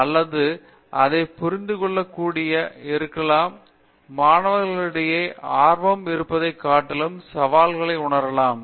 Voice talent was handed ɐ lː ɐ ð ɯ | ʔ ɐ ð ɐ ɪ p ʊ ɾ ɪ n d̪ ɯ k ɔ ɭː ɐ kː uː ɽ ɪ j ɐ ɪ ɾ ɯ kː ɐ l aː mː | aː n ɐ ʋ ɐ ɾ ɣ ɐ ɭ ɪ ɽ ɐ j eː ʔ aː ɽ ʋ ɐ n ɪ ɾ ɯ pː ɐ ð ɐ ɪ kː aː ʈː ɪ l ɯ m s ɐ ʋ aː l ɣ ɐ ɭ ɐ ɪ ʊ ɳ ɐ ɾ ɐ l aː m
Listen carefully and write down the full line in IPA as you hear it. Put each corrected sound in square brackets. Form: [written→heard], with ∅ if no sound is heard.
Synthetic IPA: ɐ lː ɐ ð ɯ | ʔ ɐ ð ɐ ɪ p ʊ ɾ ɪ n d̪ ɯ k ɔ ɭː ɐ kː uː ɽ ɪ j ɐ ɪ ɾ ɯ kː ɐ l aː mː | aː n ɐ ʋ ɐ ɾ ɣ ɐ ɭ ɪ ɽ ɐ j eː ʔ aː [ɽ→ɾ] ʋ ɐ [n→m] ɪ ɾ ɯ pː ɐ ð ɐ ɪ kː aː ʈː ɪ l ɯ m s ɐ ʋ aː l ɣ ɐ ɭ ɐ ɪ ʊ ɳ ɐ ɾ ɐ l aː m